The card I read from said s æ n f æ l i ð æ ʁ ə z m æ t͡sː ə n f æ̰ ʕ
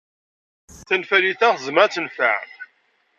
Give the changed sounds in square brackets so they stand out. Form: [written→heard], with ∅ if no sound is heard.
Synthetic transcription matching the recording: [s→θ] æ n f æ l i [ð→θ] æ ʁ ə z m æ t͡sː ə n f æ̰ ʕ